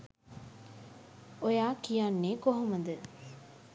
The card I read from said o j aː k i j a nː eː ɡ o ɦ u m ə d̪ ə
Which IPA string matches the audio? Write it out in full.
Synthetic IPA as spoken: o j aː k i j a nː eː k o ɦ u m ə d̪ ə